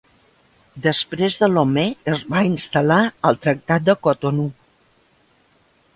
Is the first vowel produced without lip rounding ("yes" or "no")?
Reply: yes